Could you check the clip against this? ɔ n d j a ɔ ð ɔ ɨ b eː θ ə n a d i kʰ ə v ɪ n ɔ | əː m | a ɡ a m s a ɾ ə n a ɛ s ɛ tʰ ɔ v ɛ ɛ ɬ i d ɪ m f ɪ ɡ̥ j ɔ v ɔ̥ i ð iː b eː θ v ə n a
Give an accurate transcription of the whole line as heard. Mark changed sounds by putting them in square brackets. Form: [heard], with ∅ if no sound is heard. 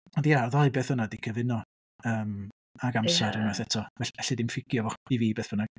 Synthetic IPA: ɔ n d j a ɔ ð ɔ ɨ b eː θ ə n a d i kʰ ə v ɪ n ɔ | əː m | a ɡ a m s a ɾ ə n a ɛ [θ] ɛ tʰ ɔ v ɛ ɛ ɬ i d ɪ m f ɪ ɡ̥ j ɔ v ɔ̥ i [v] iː b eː θ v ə n a